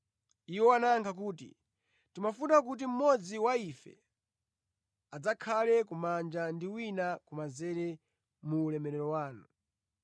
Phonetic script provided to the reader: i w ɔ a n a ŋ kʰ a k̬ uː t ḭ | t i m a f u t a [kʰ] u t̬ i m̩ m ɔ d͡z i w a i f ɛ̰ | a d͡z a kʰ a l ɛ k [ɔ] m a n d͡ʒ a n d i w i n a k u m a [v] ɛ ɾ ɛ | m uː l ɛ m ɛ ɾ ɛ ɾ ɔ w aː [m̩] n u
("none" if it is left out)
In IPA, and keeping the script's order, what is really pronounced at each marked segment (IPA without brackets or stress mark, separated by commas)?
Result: k, u, z, none